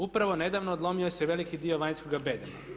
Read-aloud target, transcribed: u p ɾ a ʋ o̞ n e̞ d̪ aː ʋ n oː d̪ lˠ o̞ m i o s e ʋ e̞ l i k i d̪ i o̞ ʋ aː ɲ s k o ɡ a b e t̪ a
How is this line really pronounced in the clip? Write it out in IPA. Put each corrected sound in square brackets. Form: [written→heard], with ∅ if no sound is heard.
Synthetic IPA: u p ɾ a ʋ o̞ n e̞ d̪ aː ʋ n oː d̪ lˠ o̞ m i o s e ʋ e̞ l i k i d̪ i o̞ ʋ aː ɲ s k o ɡ a b e [t̪→d̪] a